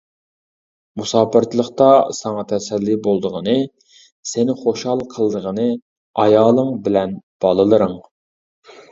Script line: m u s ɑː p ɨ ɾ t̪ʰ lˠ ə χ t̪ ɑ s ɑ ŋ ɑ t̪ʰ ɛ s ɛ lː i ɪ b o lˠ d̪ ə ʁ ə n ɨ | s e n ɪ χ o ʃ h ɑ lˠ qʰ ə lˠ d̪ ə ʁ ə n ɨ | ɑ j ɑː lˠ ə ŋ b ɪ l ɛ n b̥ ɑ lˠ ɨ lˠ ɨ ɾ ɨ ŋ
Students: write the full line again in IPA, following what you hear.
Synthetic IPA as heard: m u s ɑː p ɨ ɾ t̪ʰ lˠ ə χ t̪ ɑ s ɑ ŋ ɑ t̪ʰ ɛ s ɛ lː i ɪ b o lˠ d̪ ə ʁ ə n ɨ | s e n ɪ χ o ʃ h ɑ lˠ qʰ ə lˠ d̪ ə ʁ ə n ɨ | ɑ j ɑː lˠ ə ŋ b ɪ l ɛ n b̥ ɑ lˠ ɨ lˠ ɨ ɾ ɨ ŋ